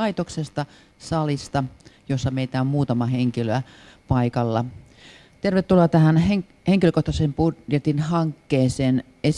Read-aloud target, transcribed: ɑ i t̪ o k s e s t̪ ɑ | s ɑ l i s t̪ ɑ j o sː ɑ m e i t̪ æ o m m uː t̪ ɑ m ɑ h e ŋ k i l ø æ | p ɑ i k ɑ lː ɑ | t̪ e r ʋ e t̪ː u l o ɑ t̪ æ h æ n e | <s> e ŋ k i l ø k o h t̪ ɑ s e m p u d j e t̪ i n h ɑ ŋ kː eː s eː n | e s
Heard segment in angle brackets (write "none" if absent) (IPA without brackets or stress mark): h